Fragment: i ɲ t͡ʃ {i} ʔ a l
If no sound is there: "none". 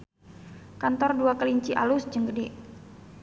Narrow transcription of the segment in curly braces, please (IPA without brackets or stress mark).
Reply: i